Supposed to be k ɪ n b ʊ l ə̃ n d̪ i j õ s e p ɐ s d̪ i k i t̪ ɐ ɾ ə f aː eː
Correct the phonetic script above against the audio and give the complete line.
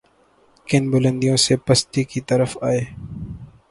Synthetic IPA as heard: k ɪ n b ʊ l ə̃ n d̪ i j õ s e p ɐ s t̪ i k i t̪ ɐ ɾ ə f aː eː